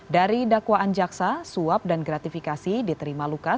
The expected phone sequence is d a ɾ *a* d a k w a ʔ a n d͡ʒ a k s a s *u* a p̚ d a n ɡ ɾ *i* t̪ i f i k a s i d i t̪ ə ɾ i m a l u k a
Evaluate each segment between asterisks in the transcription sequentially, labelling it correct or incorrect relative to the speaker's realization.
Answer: incorrect, correct, incorrect

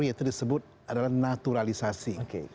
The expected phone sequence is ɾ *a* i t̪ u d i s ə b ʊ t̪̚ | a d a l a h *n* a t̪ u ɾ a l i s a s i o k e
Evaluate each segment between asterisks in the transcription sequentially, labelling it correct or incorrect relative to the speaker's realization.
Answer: incorrect, correct

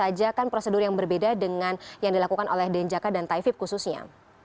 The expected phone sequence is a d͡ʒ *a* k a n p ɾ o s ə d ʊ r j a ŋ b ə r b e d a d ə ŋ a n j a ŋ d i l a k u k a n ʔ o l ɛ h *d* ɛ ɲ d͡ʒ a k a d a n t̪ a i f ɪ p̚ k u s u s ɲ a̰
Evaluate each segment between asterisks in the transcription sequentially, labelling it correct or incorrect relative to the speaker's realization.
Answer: correct, correct

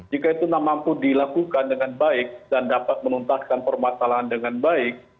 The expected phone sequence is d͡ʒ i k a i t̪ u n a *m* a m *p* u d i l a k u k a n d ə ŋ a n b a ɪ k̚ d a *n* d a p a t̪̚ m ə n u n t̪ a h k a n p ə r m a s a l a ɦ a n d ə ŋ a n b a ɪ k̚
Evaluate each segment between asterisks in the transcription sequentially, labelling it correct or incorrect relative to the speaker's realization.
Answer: correct, correct, correct

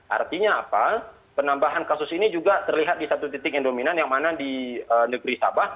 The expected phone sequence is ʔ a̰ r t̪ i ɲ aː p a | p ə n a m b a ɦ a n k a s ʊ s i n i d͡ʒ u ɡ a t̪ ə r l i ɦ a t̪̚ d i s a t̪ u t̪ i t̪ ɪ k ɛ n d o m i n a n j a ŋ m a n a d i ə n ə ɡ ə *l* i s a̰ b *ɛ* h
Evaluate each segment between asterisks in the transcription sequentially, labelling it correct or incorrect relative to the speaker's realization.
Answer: incorrect, incorrect

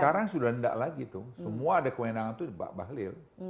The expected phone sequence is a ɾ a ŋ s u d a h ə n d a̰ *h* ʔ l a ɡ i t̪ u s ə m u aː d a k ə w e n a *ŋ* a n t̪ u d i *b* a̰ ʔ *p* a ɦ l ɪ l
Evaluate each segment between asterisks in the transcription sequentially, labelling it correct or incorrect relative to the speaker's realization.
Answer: incorrect, correct, correct, incorrect

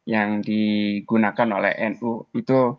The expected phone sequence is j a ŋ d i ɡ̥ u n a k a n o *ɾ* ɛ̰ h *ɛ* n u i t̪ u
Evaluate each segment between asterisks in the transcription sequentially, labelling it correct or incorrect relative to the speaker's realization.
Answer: incorrect, correct

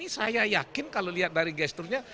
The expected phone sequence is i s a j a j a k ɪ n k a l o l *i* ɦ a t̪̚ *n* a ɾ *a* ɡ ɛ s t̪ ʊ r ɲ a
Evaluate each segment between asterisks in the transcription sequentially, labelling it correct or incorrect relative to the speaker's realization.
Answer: correct, incorrect, incorrect

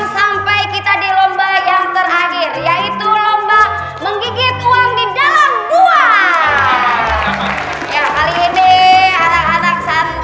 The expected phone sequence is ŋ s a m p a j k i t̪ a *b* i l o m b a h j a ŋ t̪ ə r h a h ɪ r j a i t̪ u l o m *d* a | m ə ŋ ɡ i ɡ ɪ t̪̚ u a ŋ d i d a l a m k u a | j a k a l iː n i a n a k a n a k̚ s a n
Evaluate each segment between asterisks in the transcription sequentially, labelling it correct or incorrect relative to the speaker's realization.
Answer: incorrect, incorrect

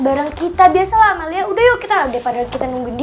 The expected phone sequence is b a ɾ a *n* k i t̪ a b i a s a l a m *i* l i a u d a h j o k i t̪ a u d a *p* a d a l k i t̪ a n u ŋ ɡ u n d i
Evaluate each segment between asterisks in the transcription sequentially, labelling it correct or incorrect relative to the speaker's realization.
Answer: incorrect, incorrect, correct

